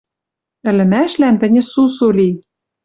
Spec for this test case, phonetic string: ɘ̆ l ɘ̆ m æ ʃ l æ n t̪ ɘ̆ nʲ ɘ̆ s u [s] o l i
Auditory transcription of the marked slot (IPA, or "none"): s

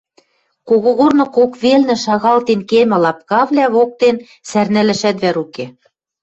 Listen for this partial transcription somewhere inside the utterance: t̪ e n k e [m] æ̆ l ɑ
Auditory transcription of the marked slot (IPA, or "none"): m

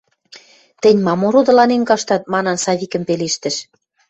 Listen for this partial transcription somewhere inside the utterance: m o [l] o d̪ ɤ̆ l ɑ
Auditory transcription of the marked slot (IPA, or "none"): ɾ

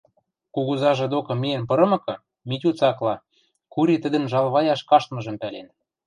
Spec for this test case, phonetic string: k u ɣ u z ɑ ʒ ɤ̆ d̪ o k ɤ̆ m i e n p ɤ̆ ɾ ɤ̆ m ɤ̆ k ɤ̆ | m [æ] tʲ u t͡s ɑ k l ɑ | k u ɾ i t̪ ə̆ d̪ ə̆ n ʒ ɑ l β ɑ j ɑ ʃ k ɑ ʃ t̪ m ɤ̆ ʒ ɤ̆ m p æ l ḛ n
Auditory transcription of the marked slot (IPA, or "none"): i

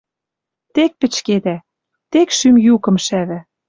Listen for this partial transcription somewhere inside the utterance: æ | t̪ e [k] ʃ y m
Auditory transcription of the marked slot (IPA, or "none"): k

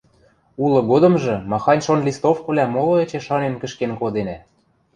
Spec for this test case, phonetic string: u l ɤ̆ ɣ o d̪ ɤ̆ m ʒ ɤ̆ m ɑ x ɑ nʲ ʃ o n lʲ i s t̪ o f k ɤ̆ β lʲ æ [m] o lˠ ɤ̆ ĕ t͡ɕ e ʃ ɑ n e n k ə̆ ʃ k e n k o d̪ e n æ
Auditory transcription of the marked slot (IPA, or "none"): m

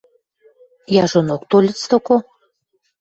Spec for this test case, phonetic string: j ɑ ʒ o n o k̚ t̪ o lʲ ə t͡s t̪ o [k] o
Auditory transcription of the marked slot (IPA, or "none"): k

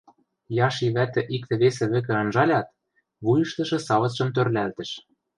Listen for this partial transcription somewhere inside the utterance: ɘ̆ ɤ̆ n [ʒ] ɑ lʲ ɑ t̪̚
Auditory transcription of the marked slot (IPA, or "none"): ʒ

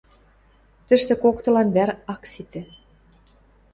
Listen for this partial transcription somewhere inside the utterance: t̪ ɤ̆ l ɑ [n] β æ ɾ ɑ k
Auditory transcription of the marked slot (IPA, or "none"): n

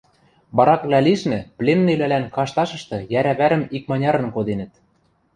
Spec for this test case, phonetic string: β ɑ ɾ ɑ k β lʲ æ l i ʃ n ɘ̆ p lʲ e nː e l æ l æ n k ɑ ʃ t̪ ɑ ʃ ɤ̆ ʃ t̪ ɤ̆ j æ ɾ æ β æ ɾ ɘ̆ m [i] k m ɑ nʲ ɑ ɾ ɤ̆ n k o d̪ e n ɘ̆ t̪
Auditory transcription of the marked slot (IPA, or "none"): i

